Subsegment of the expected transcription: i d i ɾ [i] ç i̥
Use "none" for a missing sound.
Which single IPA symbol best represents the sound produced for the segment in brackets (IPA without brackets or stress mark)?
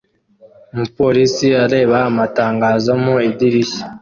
i